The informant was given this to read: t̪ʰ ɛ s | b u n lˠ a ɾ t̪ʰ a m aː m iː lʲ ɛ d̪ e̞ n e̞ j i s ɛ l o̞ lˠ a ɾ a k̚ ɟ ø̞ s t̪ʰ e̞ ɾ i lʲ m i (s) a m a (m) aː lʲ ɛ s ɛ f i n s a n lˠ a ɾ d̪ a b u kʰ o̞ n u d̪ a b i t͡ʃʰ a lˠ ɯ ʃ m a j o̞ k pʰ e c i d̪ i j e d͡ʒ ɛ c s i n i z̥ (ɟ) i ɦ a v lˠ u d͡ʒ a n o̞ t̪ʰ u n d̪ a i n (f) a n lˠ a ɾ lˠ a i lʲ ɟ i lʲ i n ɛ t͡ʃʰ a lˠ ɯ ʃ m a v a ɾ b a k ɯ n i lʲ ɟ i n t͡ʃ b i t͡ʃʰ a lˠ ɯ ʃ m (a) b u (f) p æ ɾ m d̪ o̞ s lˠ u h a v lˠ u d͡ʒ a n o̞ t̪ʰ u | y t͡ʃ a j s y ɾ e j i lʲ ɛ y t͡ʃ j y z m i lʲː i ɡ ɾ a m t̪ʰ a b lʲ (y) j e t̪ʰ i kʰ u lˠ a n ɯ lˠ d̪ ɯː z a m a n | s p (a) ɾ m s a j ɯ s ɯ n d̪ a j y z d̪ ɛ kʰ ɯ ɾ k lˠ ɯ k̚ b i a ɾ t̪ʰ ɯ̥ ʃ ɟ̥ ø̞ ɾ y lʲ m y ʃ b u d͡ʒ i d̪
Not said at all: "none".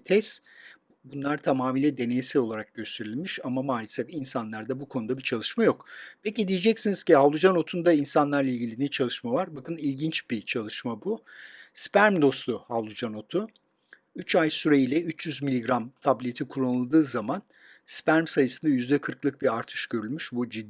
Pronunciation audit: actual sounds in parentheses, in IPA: ʃ, m, c, s, a, s, i, æ

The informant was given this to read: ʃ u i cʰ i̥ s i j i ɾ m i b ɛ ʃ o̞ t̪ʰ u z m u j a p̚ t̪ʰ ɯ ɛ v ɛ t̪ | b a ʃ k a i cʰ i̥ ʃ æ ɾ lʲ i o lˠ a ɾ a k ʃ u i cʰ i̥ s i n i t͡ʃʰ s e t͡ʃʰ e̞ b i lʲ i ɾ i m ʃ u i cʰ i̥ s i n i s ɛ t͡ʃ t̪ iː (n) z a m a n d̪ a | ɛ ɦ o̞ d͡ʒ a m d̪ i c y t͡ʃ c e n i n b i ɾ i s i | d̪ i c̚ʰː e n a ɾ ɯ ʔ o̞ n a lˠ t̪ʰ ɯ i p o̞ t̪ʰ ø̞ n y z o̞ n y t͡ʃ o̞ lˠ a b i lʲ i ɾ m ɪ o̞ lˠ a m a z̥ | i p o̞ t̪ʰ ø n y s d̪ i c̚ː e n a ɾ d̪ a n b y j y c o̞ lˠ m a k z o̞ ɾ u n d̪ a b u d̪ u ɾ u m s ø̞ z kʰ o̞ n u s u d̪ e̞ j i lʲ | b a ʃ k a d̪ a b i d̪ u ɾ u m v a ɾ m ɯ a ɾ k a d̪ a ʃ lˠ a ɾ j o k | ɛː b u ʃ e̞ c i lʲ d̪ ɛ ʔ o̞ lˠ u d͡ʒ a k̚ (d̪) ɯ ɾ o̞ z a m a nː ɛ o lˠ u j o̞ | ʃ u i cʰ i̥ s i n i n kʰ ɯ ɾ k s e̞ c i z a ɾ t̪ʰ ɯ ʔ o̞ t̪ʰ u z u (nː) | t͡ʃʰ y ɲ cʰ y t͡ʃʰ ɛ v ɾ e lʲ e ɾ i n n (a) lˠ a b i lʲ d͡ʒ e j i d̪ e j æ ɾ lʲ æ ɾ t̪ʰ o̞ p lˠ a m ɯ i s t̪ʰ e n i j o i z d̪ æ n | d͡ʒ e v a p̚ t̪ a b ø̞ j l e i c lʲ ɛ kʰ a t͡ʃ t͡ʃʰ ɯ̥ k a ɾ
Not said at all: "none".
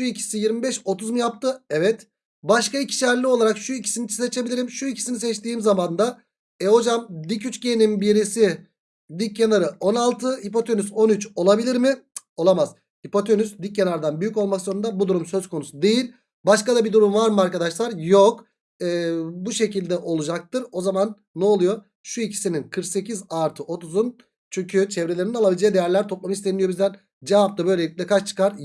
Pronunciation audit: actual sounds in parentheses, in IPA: m, t̪, n, a

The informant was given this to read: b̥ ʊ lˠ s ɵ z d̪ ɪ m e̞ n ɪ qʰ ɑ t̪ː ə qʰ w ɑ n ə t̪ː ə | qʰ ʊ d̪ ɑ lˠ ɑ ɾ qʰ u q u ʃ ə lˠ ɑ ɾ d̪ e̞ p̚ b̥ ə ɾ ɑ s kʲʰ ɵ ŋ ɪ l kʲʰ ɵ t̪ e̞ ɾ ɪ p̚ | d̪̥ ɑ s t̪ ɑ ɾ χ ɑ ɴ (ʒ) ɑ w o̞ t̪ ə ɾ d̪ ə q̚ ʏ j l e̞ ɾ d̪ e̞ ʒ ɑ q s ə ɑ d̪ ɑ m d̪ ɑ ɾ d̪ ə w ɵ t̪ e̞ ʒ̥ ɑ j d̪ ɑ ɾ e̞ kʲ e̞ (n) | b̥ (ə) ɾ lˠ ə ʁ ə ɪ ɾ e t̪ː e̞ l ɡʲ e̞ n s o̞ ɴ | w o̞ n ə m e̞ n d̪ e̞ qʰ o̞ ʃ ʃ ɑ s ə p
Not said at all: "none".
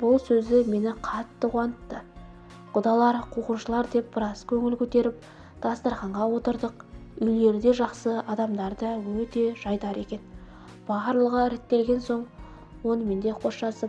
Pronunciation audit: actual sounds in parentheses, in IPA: ʁ, n, ɑ

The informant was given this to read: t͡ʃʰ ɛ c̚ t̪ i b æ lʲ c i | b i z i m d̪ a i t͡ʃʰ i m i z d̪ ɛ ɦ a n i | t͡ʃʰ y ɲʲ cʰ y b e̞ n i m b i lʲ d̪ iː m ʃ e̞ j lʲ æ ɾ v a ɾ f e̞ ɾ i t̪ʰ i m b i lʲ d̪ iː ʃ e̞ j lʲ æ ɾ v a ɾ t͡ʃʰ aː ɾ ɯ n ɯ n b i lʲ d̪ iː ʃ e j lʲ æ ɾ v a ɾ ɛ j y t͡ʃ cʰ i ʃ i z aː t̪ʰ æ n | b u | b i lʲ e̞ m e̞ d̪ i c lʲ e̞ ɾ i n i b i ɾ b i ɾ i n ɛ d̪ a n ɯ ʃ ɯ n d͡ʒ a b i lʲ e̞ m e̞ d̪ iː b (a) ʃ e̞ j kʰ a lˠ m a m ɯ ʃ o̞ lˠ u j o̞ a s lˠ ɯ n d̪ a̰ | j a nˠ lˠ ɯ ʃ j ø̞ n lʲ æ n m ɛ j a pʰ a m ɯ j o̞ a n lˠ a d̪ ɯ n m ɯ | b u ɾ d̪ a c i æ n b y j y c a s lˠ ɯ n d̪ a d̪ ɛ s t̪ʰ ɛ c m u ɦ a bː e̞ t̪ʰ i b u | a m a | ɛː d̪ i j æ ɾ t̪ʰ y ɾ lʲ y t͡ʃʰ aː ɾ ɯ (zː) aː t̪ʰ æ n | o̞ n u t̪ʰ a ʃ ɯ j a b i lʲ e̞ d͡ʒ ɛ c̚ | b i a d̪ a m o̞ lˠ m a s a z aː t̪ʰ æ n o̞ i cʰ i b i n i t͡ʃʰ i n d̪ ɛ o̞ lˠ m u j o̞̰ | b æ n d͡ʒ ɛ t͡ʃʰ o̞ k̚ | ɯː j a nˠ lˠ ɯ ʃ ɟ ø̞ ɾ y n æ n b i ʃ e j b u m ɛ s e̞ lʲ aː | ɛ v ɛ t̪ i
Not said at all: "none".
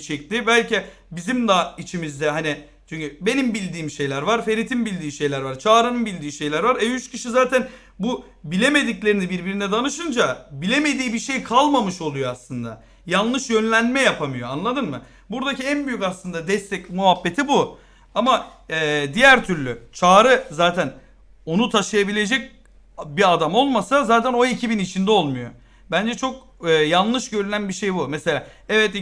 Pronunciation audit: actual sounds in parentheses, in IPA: i, z

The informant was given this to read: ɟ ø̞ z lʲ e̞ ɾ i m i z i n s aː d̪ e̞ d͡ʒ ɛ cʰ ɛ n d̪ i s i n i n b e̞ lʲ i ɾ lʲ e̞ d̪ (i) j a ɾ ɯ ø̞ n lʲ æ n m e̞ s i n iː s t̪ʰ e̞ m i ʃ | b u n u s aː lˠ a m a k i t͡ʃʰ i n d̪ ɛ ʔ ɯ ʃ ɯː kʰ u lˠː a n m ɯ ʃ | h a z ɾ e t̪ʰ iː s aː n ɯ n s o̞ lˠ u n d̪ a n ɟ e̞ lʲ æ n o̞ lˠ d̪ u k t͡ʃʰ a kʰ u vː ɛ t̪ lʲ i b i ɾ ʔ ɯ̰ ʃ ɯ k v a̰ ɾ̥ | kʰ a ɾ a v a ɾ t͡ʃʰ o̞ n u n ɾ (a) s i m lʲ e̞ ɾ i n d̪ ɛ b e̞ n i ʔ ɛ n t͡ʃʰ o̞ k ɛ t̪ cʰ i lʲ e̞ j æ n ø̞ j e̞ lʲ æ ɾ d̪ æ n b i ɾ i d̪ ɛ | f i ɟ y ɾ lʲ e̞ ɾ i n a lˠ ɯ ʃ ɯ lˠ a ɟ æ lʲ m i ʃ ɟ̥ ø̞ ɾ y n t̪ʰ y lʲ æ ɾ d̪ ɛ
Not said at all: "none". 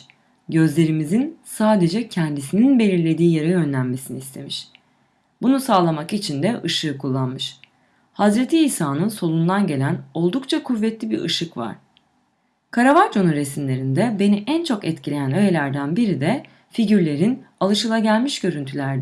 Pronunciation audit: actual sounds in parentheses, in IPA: iː, e

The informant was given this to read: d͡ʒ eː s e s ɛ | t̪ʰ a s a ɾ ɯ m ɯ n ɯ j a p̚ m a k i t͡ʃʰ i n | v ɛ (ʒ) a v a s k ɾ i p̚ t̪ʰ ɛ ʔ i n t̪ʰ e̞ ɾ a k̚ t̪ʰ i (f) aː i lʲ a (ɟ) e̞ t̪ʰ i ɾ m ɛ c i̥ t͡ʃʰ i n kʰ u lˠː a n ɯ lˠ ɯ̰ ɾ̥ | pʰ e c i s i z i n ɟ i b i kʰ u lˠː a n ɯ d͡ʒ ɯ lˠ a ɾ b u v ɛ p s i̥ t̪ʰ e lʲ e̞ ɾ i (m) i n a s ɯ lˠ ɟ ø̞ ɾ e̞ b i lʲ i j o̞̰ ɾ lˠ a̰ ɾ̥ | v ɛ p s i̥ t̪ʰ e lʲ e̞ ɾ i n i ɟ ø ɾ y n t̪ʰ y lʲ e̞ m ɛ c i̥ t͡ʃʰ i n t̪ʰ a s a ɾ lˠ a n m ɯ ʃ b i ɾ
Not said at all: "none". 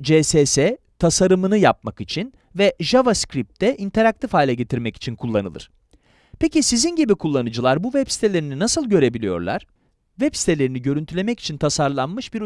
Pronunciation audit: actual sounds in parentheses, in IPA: ʒ, f, ɟ, n

